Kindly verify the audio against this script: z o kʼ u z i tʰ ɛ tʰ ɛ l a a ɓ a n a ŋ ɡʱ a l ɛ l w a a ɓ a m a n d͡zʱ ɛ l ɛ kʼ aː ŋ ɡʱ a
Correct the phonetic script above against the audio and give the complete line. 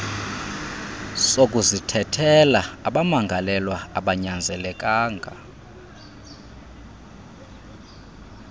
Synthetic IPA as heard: s o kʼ u z i tʰ ɛ tʰ ɛ l a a ɓ a m a ŋ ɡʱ a l ɛ l w a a ɓ a ɲ a n d͡zʱ ɛ l ɛ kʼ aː ŋ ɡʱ a

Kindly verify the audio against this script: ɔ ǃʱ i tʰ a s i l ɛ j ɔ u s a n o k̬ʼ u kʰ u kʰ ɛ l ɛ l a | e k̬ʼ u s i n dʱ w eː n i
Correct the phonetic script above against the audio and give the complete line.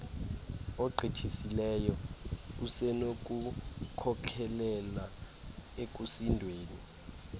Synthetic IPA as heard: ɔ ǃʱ i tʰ i s i l ɛ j ɔ u s ɛ n o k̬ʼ u kʰ ɔ kʰ ɛ l ɛ l a | e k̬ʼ u s i n dʱ w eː n i

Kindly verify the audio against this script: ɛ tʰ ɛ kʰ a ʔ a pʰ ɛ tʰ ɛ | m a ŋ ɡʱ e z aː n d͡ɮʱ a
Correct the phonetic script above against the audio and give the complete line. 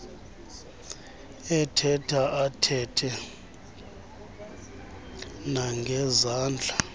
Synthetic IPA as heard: ɛ tʰ ɛ tʰ a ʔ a tʰ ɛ tʰ ɛ | n a ŋ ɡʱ ɛ z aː n d͡ɮʱ a

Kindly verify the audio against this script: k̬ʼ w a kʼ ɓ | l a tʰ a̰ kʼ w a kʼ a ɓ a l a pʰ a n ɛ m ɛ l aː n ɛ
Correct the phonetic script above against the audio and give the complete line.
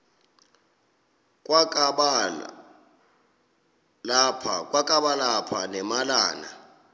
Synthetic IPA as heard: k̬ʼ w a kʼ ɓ | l a pʰ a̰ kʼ w a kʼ a ɓ a l a pʰ a n ɛ m a l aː n a

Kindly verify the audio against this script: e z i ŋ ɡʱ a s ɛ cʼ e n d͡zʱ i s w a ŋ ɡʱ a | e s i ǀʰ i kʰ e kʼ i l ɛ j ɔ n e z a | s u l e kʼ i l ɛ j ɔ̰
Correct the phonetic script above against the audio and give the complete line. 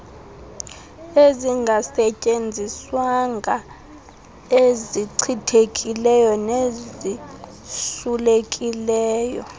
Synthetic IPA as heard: e z i ŋ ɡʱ a s ɛ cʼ e n d͡zʱ i s w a ŋ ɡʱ a | e z i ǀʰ i tʰ e kʼ i l ɛ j ɔ n e z i | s u l e kʼ i l ɛː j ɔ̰

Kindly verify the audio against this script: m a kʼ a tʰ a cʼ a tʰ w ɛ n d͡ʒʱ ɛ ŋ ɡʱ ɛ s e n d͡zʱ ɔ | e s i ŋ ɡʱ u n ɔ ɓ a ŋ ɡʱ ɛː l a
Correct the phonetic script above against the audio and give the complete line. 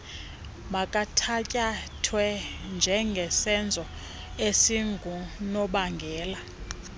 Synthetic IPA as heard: m a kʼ a tʰ a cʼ a tʰ w ɛ n d͡ʒʱ ɛ ŋ ɡʱ ɛ s ɛ n d͡zʱ ɔ | e s i ŋ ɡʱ u n ɔ ɓ a ŋ ɡʱ ɛː l a

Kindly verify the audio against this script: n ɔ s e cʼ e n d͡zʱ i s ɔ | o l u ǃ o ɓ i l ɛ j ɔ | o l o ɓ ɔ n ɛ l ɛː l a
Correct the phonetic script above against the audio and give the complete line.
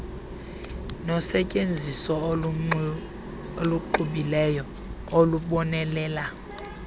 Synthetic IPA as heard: n ɔ s ɛ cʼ e n d͡zʱ i s ɔ | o l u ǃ u ɓ i l ɛ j ɔ | o l u ɓ ɔ n ɛ l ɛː l a

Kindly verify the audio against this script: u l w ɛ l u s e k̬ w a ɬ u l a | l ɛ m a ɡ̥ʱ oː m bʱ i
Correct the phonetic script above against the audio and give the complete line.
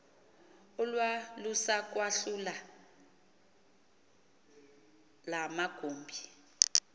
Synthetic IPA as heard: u l w a l u s a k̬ w a ɬ u l a | l a m a ɡ̥ʱ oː m bʱ i

